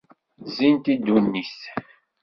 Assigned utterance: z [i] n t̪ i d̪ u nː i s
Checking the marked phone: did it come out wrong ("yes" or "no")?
no